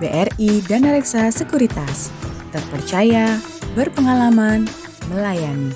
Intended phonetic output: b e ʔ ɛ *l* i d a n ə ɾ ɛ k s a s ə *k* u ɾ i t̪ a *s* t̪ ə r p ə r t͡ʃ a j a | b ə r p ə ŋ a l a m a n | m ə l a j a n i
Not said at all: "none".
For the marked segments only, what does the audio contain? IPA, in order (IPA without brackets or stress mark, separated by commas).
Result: r, k, s